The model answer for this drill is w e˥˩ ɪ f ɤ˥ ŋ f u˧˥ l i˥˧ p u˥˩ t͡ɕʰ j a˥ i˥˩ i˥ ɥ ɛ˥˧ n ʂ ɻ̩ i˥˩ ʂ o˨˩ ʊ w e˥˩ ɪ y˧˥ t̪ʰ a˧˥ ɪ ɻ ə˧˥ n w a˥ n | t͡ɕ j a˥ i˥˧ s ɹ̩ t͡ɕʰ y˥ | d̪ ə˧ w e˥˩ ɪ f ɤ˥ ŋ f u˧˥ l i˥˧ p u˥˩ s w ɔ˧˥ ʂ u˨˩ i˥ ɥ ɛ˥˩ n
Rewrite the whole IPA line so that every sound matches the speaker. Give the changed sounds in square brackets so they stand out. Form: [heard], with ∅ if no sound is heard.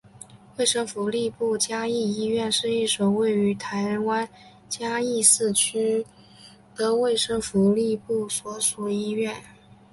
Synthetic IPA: w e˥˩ ɪ [ʂ] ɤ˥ ŋ f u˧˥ l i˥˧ p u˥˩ [t͡ɕ] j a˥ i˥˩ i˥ ɥ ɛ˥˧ n ʂ ɻ̩ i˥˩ ʂ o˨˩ ʊ w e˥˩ ɪ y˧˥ t̪ʰ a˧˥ ɪ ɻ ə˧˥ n w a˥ n | t͡ɕ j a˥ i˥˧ s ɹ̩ t͡ɕʰ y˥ | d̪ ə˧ w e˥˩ ɪ [ʂ] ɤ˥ ŋ f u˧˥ l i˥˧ p u˥˩ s w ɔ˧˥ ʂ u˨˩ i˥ ɥ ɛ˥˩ n